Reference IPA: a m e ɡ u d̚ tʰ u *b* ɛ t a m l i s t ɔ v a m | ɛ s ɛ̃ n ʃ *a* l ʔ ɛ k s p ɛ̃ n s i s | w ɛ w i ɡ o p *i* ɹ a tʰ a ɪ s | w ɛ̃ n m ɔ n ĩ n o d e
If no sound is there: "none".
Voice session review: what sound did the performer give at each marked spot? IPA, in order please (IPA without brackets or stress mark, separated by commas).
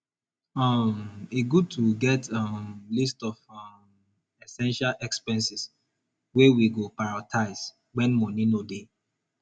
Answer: ɡ, a, a